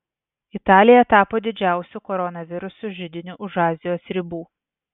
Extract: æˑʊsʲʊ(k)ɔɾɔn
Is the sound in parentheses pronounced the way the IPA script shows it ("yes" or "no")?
yes